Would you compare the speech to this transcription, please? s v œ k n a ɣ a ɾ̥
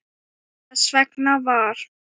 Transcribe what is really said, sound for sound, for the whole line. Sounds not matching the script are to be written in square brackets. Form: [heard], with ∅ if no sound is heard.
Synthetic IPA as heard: s v [ɛ] k n a [v] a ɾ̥